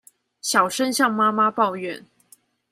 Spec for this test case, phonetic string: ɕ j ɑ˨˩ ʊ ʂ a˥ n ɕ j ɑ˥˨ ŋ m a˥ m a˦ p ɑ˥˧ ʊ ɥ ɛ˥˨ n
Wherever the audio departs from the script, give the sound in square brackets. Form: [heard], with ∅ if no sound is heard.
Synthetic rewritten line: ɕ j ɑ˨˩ ʊ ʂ [ə˥] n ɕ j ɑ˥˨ ŋ m a˥ m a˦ p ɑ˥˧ ʊ ɥ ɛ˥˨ n